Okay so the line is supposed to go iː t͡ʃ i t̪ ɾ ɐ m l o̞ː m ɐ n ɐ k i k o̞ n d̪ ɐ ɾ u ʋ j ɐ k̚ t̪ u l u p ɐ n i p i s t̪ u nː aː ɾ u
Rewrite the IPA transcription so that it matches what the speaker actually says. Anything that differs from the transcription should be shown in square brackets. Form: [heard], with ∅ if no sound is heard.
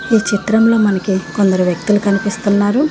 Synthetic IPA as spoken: iː t͡ʃ i t̪ ɾ ɐ m l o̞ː m ɐ n ɐ k i k o̞ n d̪ ɐ ɾ u ʋ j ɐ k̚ t̪ u l u [k] ɐ n i p i s t̪ u nː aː ɾ u